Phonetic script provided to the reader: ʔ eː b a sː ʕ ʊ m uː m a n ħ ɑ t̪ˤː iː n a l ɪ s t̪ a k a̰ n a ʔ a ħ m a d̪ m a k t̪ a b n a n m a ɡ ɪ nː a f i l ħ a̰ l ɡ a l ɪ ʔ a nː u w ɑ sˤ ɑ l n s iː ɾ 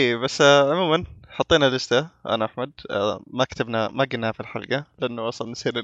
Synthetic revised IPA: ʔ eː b a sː ʕ ʊ m uː m a n ħ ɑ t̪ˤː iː n a l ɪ s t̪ a ʔ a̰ n a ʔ a ħ m a d̪ m a k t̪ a b n a m a ɡ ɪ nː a f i l ħ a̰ l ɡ a l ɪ ʔ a nː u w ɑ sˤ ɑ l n s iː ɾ